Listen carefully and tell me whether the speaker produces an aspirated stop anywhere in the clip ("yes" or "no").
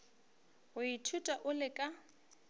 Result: yes